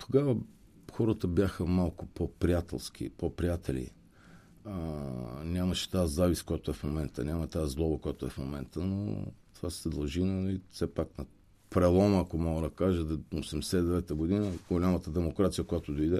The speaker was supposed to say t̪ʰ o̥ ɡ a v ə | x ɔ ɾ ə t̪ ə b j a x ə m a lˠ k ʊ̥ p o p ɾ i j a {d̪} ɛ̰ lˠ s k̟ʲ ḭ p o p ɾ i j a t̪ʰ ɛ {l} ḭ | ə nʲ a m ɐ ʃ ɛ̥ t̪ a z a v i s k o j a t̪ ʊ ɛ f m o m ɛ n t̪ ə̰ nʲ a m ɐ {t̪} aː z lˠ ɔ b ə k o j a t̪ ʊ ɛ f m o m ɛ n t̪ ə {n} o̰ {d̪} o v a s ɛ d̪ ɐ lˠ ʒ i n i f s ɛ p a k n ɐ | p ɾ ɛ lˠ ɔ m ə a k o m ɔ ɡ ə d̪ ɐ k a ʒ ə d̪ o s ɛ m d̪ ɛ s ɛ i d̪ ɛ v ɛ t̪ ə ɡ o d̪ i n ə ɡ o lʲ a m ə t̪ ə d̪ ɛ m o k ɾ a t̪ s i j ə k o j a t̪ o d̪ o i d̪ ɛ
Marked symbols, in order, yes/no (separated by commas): no, yes, yes, yes, no